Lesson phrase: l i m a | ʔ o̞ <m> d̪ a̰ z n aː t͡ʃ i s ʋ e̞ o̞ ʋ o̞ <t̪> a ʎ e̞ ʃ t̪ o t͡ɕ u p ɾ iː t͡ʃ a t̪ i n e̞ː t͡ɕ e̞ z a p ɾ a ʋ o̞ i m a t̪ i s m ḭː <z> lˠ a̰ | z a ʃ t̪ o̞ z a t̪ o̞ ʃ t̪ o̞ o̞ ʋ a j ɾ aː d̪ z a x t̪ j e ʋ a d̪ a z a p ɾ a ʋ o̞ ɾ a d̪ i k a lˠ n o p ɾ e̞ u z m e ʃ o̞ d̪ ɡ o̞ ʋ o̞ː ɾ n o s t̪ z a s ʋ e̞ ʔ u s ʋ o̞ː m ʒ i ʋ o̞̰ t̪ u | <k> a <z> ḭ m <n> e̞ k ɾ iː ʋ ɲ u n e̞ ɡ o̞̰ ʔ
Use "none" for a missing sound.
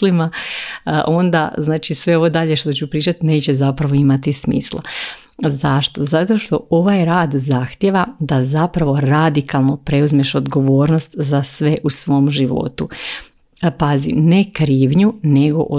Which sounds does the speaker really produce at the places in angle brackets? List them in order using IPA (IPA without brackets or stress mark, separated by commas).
n, d̪, s, p, z, n